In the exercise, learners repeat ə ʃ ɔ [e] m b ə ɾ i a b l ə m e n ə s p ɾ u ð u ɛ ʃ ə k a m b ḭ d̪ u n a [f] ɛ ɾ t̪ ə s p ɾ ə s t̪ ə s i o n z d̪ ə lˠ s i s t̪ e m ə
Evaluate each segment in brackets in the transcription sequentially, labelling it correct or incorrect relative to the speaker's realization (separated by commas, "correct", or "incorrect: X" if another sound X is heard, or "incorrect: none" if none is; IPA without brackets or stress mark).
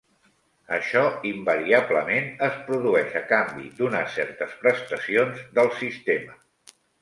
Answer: incorrect: i, incorrect: s